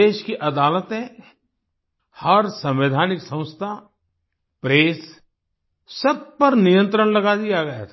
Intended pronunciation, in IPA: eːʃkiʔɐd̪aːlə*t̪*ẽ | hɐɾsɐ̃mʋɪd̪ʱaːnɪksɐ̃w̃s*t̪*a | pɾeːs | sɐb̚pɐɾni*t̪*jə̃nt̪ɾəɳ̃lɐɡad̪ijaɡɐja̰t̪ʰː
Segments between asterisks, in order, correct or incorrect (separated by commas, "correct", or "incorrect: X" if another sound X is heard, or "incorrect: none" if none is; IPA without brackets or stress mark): correct, incorrect: t̪ʰ, incorrect: none